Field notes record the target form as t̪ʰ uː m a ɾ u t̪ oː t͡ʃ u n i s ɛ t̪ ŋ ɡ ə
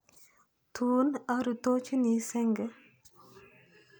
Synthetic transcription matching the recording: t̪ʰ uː n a ɾ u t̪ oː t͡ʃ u n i s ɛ ŋ ɡ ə